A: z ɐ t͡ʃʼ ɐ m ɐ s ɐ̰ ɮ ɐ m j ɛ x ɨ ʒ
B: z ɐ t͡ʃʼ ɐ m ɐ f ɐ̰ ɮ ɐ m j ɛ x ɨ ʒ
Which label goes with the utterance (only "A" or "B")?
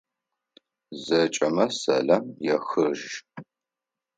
A